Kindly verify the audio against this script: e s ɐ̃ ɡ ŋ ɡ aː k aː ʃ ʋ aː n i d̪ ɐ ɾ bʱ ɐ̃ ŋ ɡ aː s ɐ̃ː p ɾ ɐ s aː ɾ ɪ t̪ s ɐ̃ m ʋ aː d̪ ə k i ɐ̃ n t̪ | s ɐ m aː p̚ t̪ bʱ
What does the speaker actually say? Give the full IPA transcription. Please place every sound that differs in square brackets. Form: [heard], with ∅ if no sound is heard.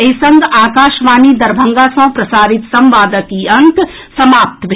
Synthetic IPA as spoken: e s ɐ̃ [∅] ŋ ɡ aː k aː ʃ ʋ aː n i d̪ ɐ ɾ bʱ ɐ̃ ŋ ɡ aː s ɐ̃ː p ɾ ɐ s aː ɾ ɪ t̪ s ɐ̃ m ʋ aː d̪ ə k i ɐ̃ n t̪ | s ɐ m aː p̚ t̪ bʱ